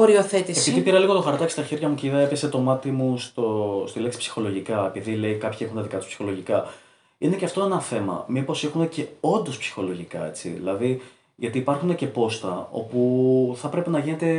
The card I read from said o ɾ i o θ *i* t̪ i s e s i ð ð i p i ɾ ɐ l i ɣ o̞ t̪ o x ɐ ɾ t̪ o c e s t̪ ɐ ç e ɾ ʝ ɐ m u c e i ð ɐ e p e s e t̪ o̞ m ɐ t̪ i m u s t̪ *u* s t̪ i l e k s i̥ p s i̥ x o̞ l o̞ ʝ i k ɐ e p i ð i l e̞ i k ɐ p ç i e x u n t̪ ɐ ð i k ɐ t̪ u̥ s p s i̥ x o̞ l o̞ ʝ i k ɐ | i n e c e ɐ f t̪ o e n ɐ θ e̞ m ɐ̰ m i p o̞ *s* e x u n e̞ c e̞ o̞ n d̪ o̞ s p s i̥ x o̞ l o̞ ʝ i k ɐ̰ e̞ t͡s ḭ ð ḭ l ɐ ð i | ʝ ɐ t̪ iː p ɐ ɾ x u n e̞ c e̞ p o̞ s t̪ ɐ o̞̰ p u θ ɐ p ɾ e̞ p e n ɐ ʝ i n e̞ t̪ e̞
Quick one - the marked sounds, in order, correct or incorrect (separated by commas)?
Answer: incorrect, incorrect, correct